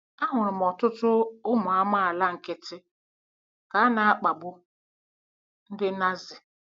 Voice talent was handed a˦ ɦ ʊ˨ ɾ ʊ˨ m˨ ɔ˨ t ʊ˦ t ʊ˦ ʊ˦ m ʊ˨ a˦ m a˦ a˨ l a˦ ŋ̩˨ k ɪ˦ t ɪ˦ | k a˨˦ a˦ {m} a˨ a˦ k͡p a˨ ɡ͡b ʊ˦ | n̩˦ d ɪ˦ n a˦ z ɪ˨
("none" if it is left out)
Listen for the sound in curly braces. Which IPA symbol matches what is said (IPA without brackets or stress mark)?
n